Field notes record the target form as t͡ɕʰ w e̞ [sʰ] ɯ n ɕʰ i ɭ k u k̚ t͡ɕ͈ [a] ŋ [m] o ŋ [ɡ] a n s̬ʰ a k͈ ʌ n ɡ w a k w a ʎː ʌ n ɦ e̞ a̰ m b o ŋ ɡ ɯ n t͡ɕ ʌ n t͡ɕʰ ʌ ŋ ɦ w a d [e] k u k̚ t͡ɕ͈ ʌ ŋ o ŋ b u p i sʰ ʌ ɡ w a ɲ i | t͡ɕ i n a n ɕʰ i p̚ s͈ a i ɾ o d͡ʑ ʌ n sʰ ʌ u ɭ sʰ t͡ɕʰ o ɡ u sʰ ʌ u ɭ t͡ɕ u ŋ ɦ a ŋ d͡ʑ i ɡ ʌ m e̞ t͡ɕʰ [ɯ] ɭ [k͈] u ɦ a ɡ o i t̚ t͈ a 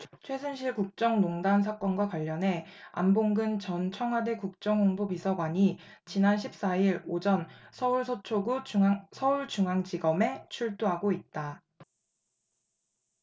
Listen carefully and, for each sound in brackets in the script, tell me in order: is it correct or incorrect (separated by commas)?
correct, incorrect, incorrect, incorrect, correct, incorrect, incorrect